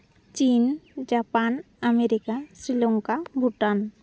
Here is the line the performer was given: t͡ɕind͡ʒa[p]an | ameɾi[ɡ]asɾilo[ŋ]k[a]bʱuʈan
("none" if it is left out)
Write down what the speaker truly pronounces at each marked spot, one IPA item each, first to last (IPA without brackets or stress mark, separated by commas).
p, k, ŋ, a